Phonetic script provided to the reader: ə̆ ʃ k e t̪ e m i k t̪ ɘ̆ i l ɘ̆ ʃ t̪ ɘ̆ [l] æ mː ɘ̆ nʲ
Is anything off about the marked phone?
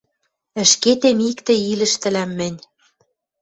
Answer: no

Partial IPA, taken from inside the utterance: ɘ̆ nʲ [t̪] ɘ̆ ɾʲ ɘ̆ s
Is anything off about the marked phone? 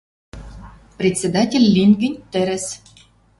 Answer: no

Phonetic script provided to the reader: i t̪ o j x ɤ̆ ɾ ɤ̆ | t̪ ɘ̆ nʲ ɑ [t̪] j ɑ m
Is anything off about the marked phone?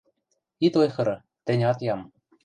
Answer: no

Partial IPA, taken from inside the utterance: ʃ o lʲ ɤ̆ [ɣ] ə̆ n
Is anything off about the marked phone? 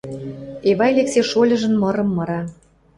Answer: yes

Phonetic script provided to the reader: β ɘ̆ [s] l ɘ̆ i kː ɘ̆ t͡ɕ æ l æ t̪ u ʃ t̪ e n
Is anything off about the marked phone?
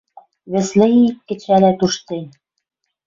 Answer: no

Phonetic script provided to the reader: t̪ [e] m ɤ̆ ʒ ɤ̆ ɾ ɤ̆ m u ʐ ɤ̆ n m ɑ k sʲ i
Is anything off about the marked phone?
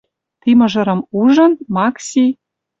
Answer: yes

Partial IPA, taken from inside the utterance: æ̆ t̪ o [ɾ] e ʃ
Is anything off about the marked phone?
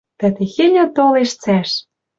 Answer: yes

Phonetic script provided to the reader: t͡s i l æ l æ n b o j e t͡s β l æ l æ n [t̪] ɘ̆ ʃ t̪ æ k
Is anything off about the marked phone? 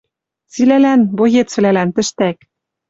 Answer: no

